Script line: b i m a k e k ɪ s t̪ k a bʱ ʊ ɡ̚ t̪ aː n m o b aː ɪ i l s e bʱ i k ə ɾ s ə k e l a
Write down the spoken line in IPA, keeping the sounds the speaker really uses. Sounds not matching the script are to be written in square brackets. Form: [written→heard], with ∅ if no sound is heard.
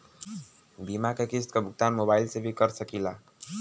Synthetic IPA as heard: b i m a k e k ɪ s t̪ k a bʱ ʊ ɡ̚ t̪ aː n m o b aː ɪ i l s e bʱ i k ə ɾ s ə k [e→i] l a